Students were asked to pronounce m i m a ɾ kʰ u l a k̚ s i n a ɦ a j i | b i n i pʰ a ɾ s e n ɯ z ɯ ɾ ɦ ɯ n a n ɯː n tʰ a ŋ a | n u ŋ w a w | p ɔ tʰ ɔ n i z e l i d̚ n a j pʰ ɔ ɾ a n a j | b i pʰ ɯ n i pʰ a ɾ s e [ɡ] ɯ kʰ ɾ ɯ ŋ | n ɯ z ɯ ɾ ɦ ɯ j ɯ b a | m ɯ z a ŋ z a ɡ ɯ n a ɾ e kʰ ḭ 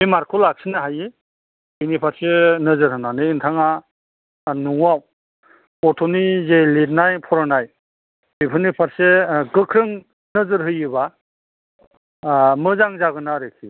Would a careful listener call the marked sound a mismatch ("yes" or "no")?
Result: no